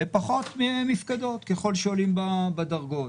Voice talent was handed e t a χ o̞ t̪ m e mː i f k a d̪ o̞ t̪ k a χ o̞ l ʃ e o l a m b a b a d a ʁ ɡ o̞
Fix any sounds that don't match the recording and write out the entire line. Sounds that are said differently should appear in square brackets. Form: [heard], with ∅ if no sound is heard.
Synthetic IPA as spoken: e [p] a χ o̞ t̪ m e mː i f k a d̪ o̞ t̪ k [e] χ o̞ l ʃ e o l [i] m b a b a d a ʁ ɡ o̞